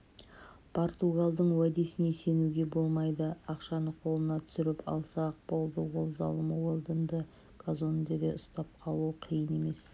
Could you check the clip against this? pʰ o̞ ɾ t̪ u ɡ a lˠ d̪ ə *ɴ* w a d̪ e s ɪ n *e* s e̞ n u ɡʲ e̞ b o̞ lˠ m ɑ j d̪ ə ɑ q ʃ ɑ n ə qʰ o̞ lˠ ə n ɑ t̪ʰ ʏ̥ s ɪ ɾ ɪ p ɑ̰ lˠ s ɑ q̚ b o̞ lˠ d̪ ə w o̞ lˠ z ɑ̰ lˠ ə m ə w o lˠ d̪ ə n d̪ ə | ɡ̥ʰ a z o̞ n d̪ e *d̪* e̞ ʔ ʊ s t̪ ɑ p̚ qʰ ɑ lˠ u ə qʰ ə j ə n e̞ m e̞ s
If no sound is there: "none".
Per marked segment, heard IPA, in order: ɴ, e, d̪

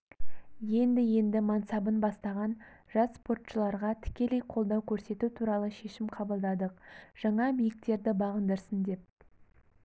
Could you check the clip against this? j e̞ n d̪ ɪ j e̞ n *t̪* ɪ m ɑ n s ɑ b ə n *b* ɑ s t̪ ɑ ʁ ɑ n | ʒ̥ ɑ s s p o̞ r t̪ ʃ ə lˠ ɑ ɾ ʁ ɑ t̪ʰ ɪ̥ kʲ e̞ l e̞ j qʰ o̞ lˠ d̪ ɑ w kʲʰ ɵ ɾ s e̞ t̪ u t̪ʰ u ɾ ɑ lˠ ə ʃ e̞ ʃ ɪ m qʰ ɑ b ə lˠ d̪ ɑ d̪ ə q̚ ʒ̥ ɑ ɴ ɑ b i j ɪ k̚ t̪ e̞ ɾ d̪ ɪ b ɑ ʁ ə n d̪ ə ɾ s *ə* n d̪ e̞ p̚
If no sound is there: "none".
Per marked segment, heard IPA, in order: d̪, b, ə

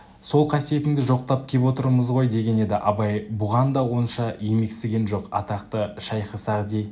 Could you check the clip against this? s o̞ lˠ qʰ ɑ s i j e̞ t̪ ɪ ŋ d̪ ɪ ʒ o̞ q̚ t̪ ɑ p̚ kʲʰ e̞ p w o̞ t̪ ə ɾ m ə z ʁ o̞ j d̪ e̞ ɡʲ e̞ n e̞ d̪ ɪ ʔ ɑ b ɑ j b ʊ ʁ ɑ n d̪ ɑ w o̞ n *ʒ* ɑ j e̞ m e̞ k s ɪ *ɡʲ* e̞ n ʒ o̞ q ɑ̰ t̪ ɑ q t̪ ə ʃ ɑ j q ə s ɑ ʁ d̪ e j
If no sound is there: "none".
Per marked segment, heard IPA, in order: ʃ, ɡʲ

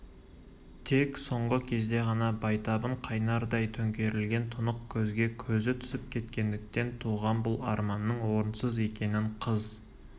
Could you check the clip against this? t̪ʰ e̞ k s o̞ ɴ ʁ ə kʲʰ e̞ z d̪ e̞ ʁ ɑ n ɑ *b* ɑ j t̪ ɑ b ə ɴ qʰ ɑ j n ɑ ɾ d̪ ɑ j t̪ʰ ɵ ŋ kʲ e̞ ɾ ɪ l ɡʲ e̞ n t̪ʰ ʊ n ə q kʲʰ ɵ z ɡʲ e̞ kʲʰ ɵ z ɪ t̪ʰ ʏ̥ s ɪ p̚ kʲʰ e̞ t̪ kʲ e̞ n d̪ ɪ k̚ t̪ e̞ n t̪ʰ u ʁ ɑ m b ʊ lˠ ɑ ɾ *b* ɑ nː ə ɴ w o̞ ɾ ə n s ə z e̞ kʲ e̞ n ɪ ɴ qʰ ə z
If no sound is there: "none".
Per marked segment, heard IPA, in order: b, m

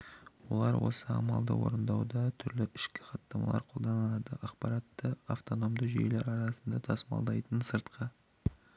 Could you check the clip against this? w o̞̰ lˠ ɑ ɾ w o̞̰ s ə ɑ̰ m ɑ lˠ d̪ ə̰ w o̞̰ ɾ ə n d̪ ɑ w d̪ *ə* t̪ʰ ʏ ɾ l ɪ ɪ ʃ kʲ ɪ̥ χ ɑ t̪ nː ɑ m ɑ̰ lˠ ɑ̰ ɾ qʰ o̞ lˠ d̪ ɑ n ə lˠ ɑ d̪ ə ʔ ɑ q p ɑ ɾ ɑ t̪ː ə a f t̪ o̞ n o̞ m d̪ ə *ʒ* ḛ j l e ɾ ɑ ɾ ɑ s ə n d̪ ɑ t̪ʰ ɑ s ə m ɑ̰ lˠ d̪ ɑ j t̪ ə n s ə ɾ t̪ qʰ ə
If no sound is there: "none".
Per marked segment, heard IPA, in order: ɑ, ʒ

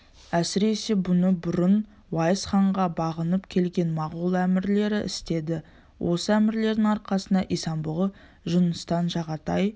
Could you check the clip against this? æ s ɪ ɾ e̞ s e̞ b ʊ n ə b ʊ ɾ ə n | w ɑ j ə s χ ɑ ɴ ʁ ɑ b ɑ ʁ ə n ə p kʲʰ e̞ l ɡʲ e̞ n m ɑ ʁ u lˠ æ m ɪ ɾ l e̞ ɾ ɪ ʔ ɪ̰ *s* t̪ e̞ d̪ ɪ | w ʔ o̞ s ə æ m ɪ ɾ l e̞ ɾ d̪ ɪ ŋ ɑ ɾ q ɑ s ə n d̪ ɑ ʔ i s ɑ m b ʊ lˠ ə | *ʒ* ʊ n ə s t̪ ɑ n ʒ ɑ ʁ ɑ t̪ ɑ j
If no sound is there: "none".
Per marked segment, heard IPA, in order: s, ʒ

